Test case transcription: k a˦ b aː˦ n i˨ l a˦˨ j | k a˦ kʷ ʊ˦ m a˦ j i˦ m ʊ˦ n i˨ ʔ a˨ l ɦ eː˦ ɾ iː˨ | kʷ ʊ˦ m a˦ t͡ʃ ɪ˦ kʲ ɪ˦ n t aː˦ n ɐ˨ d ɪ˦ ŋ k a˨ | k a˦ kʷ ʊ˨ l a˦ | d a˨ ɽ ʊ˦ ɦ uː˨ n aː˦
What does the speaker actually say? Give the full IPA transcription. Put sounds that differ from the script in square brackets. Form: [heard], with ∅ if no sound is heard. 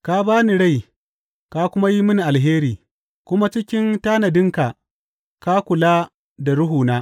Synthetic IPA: k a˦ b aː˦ n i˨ [ɽ] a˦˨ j | k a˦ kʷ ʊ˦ m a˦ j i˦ m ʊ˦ n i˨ ʔ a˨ l ɦ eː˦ ɾ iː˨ | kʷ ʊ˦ m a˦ t͡ʃ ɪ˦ kʲ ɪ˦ n t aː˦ n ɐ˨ d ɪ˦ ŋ k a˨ | k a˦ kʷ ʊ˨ l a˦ | d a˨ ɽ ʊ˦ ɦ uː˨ n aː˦